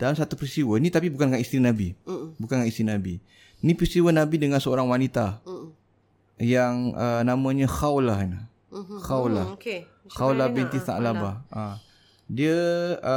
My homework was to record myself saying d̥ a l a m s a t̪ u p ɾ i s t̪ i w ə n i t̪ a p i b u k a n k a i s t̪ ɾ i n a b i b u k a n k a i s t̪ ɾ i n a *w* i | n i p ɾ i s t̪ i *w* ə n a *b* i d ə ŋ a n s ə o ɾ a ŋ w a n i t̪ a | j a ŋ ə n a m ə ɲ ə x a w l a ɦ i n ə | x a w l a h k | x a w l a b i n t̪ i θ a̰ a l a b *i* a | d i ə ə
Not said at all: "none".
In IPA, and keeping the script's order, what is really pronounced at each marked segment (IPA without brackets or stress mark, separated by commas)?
b, w, b, a